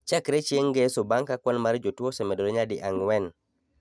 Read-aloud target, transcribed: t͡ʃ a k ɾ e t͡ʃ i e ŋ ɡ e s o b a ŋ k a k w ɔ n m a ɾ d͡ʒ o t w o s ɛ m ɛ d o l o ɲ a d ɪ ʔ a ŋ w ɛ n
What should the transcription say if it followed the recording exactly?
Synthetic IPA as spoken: t͡ʃ a k ɾ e t͡ʃ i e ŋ ɡ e s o b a ŋ k a k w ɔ n m a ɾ d͡ʒ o t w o s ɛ m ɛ d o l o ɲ a d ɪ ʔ a ŋ w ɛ n